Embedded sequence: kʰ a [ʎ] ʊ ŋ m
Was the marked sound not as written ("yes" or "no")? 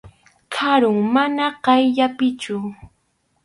yes